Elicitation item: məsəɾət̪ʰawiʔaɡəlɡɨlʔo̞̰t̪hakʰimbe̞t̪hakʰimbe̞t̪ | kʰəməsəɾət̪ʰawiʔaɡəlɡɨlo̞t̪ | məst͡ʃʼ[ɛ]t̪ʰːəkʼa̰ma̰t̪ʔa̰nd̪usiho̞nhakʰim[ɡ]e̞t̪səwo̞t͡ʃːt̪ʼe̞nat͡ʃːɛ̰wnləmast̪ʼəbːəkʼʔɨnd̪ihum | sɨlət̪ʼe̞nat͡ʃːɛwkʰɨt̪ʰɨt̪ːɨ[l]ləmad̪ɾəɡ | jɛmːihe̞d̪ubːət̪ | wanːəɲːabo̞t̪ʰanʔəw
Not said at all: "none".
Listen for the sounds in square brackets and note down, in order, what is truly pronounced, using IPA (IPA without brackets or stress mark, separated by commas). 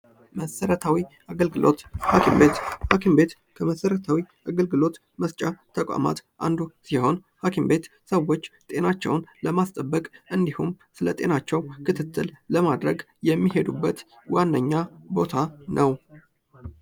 a, b, l